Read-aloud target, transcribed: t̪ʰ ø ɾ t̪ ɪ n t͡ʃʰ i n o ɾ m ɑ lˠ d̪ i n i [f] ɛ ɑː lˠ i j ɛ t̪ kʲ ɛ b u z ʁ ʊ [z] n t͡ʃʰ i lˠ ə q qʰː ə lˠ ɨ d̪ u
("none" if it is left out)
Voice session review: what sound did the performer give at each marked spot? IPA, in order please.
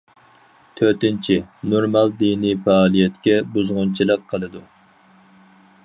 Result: f, none

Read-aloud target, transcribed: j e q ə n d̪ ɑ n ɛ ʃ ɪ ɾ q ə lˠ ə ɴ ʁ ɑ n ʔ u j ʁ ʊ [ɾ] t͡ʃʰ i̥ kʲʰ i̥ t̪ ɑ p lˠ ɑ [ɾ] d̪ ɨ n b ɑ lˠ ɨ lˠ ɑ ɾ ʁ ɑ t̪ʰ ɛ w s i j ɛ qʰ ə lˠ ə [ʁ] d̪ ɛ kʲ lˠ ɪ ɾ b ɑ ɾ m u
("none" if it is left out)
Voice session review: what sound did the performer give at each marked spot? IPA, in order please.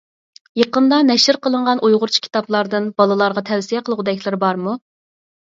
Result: ɾ, ɾ, ʁ

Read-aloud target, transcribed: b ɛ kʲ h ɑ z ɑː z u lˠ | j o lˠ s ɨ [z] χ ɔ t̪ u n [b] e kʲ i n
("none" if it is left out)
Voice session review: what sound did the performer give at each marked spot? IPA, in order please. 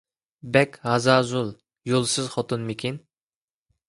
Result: z, m

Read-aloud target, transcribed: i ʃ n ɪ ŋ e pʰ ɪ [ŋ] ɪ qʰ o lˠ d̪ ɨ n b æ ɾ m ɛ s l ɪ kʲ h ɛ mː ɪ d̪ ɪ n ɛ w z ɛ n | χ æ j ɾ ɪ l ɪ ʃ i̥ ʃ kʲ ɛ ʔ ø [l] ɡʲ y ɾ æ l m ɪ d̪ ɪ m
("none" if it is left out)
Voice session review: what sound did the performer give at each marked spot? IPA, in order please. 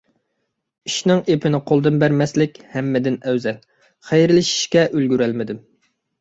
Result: n, l

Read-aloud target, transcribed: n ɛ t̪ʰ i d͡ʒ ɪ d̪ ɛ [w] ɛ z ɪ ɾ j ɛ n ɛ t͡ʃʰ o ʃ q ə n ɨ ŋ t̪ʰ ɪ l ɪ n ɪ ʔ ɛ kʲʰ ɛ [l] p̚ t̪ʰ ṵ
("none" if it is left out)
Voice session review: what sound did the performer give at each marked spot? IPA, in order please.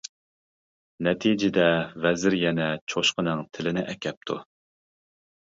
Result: v, none

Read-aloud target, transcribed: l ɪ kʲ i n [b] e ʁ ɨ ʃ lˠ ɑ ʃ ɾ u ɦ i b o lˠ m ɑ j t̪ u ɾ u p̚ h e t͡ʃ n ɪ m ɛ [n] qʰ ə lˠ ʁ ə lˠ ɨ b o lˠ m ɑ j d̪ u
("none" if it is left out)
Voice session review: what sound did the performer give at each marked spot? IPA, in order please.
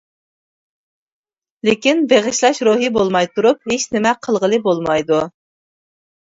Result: b, none

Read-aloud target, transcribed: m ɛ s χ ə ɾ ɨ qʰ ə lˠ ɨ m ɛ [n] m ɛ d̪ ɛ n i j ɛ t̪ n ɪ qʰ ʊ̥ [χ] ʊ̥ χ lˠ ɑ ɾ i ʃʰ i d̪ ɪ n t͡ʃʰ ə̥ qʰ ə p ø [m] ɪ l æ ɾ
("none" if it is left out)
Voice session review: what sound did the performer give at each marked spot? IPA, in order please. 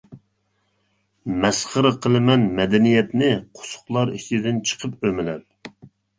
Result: n, s, m

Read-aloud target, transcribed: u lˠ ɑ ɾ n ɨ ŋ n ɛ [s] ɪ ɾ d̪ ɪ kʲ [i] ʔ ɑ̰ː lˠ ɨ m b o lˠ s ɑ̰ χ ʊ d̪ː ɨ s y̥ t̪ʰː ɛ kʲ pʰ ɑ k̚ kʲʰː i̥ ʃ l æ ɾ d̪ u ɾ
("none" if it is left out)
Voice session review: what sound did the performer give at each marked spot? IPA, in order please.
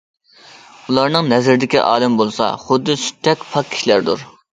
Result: z, i

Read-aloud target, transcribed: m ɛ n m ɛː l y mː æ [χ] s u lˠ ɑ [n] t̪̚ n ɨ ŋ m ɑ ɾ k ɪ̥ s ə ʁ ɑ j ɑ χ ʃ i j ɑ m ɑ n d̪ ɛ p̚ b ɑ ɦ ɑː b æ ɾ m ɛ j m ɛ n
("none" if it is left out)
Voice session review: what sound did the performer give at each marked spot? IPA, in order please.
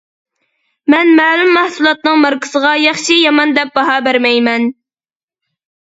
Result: h, none

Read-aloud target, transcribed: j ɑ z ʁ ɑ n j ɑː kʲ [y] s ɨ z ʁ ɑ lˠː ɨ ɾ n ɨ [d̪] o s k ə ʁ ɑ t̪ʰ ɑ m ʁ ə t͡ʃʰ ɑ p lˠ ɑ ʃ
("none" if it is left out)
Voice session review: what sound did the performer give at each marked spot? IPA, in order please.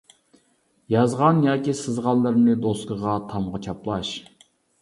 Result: i, d̪

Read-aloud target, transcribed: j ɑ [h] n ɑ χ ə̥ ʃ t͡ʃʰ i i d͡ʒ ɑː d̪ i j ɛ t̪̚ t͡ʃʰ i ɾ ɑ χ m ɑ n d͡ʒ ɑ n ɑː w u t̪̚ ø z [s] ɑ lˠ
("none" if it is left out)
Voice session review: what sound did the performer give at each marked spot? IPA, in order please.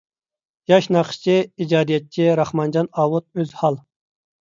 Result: ʃ, h

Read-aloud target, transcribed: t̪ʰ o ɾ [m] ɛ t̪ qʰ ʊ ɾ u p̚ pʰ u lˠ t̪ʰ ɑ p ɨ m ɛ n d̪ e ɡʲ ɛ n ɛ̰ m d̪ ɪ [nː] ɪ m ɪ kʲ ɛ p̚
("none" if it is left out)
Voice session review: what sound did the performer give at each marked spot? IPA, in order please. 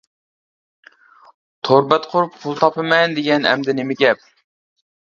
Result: b, n

